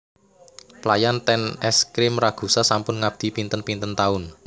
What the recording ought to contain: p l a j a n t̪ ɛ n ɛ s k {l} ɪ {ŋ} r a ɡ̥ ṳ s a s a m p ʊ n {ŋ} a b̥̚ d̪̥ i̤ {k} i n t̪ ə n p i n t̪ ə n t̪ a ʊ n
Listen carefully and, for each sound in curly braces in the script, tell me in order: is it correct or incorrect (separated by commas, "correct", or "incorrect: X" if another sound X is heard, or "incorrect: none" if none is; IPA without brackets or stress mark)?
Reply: incorrect: ɾ, incorrect: m, correct, incorrect: p